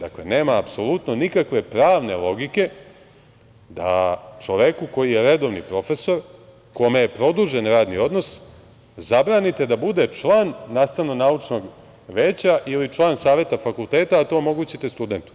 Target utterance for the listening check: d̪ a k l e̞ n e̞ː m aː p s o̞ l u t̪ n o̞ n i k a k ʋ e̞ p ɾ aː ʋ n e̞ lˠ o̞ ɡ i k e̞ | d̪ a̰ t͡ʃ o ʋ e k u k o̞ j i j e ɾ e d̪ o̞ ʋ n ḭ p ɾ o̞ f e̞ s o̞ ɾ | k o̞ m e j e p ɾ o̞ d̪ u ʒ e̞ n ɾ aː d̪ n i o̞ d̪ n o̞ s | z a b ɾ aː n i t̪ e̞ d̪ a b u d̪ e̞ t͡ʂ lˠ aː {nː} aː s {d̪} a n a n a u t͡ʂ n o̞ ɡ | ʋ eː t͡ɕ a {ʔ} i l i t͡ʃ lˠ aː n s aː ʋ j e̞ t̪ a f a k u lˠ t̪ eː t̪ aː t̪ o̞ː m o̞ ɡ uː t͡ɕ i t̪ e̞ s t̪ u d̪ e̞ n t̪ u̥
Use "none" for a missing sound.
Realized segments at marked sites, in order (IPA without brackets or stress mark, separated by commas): nː, t̪, ʔ